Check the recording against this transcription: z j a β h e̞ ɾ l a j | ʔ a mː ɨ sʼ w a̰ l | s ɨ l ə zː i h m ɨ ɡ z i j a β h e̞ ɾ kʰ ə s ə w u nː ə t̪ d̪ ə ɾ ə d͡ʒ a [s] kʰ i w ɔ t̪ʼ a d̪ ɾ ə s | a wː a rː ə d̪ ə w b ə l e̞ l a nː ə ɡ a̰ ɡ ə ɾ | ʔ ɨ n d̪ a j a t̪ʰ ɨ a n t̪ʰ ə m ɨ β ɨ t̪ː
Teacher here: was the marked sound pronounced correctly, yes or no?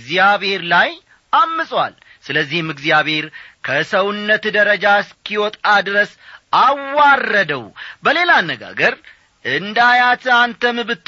yes